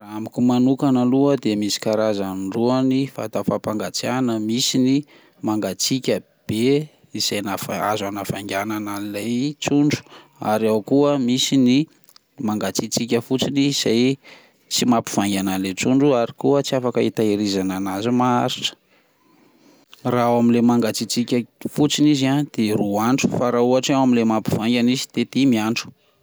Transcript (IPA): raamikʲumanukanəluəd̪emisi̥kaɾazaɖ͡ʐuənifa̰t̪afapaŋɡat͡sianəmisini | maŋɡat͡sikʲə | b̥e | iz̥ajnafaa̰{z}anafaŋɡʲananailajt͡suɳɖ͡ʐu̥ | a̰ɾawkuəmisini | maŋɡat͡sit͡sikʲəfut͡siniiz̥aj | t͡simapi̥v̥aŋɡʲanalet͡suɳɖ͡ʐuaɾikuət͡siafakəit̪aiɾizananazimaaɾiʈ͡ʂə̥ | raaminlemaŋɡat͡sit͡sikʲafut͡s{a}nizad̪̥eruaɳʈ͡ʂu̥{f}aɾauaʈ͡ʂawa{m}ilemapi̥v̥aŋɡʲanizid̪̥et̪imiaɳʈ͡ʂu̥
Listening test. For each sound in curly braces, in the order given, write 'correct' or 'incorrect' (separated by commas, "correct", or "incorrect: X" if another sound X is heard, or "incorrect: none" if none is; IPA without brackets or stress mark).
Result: correct, incorrect: i, correct, correct